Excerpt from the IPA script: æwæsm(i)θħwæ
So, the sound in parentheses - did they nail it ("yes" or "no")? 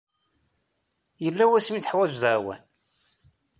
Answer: yes